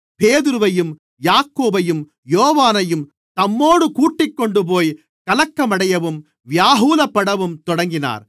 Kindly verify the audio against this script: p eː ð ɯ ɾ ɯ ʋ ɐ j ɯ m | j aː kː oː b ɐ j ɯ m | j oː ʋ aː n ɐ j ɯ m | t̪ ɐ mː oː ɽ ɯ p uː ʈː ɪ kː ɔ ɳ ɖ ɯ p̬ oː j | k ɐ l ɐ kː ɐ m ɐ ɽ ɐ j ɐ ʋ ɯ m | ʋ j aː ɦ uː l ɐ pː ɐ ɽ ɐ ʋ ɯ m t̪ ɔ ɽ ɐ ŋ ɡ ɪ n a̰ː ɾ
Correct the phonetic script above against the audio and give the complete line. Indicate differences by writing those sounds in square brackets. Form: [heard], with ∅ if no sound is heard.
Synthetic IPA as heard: p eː ð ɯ ɾ ɯ ʋ ɐ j ɯ m | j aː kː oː b ɐ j ɯ m | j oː ʋ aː n ɐ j ɯ m | t̪ ɐ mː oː ɽ ɯ [k] uː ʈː ɪ kː ɔ ɳ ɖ ɯ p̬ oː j | k ɐ l ɐ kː ɐ m ɐ ɽ ɐ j ɐ ʋ ɯ m | ʋ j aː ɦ uː l ɐ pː ɐ ɽ ɐ ʋ ɯ m t̪ ɔ ɽ ɐ ŋ ɡ ɪ n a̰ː ɾ